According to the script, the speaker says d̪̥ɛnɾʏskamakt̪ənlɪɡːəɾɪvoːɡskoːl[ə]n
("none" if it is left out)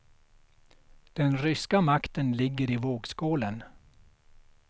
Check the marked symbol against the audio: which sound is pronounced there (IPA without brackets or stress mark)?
ə